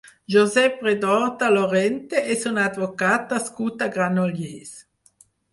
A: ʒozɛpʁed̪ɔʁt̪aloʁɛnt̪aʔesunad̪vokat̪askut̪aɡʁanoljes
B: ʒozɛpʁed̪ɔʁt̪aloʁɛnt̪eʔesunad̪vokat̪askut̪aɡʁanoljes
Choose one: B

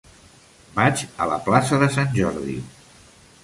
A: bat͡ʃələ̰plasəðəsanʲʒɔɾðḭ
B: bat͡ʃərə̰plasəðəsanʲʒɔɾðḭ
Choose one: A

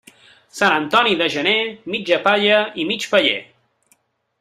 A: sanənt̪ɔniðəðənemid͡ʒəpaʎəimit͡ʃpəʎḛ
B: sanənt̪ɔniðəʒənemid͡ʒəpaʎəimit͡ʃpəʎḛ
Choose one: B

